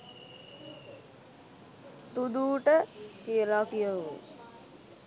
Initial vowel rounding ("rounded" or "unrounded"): rounded